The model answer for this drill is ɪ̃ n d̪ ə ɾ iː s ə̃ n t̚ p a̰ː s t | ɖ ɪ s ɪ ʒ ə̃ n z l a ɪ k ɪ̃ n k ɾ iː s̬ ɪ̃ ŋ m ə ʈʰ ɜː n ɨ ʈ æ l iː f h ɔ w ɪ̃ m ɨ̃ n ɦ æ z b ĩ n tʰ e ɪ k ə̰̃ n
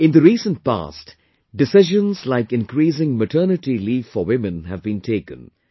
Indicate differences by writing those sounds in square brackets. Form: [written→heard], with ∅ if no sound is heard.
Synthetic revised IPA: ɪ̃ n d̪ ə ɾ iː s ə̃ n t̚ p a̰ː s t | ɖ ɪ s ɪ ʒ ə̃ n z l a ɪ k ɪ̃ n k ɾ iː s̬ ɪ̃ ŋ m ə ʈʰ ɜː n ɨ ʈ [æ→i] l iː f [h→f] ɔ w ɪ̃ m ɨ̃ n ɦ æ [z→v] b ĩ n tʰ e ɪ k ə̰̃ n